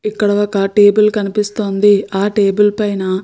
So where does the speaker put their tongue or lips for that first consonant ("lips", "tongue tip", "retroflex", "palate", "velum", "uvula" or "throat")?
velum